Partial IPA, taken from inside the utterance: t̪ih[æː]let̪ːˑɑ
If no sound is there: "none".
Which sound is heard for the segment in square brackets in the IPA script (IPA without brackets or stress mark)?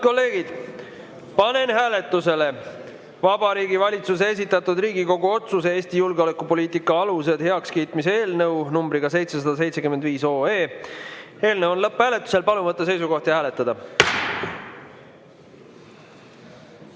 æː